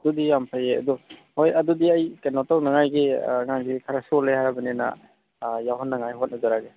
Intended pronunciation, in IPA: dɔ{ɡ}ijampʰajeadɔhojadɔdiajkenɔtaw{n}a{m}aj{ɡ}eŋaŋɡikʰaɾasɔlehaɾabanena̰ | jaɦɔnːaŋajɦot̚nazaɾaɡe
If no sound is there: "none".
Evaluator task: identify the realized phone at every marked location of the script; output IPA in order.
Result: d, n, ŋ, ɡ

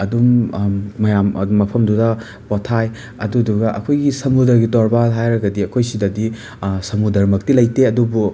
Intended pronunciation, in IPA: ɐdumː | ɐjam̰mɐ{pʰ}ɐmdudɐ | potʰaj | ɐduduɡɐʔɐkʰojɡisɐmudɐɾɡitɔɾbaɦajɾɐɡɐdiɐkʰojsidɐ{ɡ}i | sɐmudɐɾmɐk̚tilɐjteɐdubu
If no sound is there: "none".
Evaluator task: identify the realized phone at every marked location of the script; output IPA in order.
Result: pʰ, d

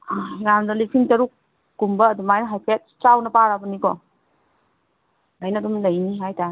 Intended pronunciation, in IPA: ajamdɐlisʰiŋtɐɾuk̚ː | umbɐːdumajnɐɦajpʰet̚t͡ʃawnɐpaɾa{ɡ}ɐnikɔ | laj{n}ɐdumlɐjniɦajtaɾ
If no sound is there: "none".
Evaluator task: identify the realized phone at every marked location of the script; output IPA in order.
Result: b, n

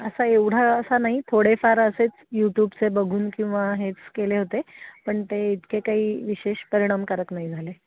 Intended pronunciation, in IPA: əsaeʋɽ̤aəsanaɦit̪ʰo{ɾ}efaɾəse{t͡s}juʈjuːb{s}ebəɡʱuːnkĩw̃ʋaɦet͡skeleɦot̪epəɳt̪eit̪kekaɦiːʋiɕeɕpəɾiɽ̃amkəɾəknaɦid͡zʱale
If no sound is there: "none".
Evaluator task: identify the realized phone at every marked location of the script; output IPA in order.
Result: ɽ, t͡s, t͡s

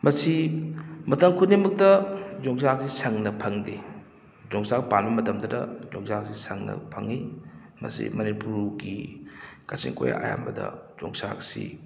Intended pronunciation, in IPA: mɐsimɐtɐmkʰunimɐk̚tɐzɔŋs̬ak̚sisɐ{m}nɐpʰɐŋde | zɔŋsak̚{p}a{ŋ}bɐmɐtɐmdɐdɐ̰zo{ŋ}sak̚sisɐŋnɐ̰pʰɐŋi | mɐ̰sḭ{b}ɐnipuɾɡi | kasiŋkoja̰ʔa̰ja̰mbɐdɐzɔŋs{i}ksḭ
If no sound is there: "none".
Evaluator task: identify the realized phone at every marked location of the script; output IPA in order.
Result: ŋ, p, n, ŋ, m, a

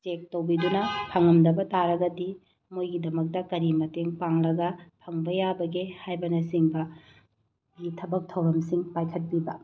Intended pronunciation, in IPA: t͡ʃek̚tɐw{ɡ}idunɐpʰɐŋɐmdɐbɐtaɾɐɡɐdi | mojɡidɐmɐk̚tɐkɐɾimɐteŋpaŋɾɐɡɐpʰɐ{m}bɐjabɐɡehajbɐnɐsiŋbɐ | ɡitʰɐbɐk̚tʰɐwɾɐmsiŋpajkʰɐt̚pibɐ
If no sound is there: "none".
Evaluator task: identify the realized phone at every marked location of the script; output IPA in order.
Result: b, ŋ

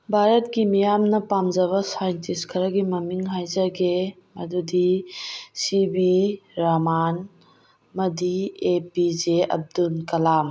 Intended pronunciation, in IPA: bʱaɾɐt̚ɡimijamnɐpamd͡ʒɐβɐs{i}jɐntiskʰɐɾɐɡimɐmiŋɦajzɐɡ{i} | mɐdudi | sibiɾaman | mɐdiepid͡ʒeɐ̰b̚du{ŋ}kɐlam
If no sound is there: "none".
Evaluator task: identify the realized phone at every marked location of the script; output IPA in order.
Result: a, e, n

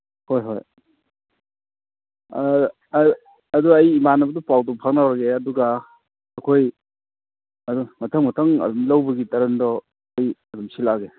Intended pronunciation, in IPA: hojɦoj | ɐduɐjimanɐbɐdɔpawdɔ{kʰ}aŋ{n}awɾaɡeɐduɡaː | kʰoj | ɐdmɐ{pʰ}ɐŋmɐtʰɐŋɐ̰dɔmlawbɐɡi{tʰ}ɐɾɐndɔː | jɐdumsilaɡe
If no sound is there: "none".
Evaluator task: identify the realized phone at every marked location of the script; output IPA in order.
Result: pʰ, n, tʰ, t

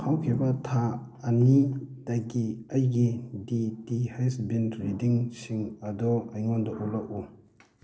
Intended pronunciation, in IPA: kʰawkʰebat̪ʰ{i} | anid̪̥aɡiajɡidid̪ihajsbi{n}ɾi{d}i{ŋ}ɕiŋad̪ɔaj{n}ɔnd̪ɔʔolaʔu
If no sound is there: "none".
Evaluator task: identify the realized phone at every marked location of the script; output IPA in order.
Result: a, n, d, ŋ, ŋ

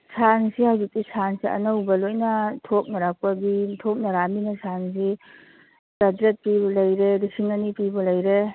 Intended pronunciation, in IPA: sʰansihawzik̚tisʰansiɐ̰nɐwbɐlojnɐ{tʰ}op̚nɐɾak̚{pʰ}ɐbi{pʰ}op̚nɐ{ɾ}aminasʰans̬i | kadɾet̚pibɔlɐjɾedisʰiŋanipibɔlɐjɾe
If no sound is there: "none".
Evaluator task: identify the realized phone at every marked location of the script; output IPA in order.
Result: tʰ, p, tʰ, ɾ

